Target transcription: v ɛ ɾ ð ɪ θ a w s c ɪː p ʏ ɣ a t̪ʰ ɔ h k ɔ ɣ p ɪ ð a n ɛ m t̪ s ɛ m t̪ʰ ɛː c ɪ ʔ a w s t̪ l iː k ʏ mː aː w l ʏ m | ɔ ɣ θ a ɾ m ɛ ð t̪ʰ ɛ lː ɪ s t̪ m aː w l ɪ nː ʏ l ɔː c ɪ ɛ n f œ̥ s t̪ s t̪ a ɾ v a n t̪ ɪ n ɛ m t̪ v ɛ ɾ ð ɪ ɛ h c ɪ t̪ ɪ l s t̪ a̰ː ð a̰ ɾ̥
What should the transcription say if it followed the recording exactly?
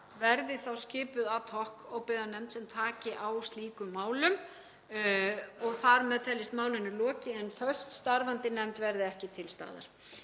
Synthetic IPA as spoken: v ɛ ɾ ð ɪ θ a w s c ɪː p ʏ ð a t̪ʰ ɔ h k ɔ ɣ p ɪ ð a n ɛ m t̪ s ɛ m t̪ʰ aː c ɪ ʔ a w s t̪ l iː k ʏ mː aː w l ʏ m | ɔ ɣ θ a ɾ m ɛ ð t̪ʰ ɛ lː ɪ s t̪ m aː w l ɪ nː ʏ l ɔː c ɪ ɛ n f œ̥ s t̪ s t̪ a ɾ v a n t̪ ɪ n ɛ m t̪ v ɛ ɾ ð ɪ ɛ h c ɪ t̪ʰ ɪ l s t̪ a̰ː ð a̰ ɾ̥